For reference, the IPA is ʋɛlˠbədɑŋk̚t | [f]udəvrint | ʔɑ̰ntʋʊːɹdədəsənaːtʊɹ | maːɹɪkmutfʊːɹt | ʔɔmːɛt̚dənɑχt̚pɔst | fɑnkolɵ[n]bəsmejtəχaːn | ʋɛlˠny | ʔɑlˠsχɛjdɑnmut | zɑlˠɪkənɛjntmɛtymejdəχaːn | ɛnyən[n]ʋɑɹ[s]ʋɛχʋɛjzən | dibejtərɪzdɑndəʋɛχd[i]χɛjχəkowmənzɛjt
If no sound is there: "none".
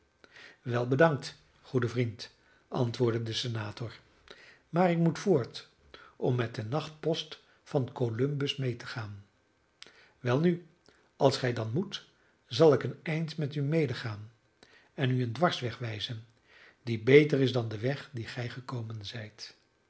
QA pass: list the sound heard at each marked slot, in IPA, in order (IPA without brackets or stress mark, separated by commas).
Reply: χ, m, d, s, i